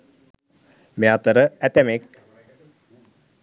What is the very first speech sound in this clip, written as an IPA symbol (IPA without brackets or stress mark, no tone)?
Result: m